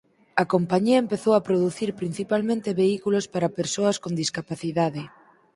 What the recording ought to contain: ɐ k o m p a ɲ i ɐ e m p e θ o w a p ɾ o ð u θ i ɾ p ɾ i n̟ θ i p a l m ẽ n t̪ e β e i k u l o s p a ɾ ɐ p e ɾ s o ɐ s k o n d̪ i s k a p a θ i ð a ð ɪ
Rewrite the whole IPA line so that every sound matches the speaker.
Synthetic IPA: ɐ k o m p a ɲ i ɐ e m p e θ o w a p ɾ o ð u θ i ɾ p ɾ i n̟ θ i p a l m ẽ n t̪ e β e i k u l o s p a ɾ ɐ p e ɾ s o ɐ s k o n d̪ i s k a p a θ i ð a ð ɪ

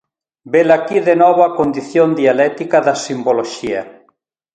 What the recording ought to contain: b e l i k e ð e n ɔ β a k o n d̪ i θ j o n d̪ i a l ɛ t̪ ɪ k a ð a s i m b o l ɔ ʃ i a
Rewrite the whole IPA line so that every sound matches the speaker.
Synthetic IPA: b e l a k i ð e n ɔ β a k o n d̪ i θ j o n d̪ i a l ɛ t̪ i k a ð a s i m b o l o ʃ i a

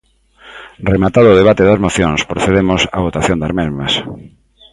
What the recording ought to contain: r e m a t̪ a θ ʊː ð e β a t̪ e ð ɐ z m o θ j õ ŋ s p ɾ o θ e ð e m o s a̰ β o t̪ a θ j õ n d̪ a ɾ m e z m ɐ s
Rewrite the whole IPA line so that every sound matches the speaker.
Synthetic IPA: r e m a t̪ a ð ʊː ð e β a t̪ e ð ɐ z m o θ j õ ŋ s p ɾ o θ e ð e m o s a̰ β o t̪ a θ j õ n d̪ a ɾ m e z m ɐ s

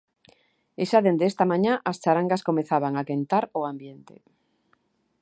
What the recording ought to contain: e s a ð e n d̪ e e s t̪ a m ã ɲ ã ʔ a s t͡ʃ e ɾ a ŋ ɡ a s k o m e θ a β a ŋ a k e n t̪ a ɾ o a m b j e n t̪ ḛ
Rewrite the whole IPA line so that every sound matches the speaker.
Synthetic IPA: e ʃ a ð e n d̪ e e s t̪ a m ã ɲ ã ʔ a s t͡ʃ a ɾ a ŋ ɡ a s k o m e θ a β a ŋ a k e n t̪ a ɾ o a m b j e n t̪ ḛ

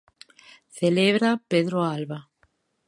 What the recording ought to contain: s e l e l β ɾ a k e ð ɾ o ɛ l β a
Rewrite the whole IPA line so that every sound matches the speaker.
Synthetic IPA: θ e l e β ɾ a p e ð ɾ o a l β a

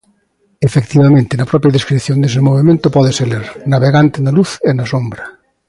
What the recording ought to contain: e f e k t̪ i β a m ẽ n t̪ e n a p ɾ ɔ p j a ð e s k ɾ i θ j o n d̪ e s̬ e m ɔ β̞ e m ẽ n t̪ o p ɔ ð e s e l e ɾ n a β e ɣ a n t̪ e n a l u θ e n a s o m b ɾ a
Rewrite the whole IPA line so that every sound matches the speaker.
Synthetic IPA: e f e k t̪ i β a m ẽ n t̪ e n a p ɾ ɔ p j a ð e s k ɾ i θ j o n d̪ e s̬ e m o β̞ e m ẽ n t̪ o p ɔ ð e s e l e ɾ n a β e ɣ a n t̪ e n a l u θ e n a s o m b ɾ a

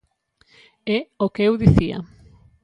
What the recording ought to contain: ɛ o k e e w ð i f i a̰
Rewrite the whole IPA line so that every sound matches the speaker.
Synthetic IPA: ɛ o k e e w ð i θ i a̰

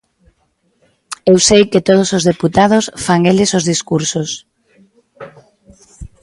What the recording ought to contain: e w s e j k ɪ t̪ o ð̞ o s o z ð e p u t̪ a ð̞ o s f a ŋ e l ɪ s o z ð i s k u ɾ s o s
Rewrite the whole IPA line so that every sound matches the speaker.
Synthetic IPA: e w s e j k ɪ t̪ o ð̞ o s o z ð e p u t̪ a ð̞ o s f a ŋ e l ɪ s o z ð i s k u ɾ s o s

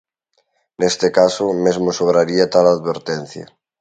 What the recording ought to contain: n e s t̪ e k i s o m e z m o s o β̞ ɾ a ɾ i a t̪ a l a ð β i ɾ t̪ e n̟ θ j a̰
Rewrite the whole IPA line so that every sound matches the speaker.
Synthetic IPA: n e s t̪ e k a s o m e z m o s o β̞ ɾ a ɾ i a t̪ a l a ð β e ɾ t̪ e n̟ θ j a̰

